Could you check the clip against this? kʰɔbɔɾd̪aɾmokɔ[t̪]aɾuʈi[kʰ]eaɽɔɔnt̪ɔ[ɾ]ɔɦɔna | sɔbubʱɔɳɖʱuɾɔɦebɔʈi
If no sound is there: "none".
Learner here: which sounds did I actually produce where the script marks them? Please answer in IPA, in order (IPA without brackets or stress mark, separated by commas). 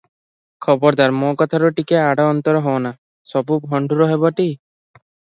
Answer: t̪ʰ, k, ɾ